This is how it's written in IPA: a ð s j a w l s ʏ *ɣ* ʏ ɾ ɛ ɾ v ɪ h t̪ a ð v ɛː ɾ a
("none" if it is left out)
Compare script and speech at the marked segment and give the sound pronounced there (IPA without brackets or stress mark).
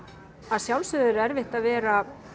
ð